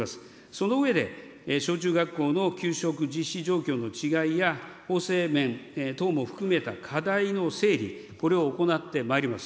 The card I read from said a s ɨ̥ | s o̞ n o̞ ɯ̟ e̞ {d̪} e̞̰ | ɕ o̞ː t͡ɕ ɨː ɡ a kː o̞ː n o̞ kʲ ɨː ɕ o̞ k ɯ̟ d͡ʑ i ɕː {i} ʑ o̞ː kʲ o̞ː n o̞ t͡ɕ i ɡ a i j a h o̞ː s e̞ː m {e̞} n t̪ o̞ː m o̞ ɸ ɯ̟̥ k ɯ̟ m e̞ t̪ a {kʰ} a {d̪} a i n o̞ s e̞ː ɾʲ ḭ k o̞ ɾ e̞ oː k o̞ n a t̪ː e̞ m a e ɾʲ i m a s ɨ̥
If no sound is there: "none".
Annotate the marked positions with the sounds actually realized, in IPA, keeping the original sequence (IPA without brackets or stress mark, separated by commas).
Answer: d̪, i, ẽ̞, kʰ, d̪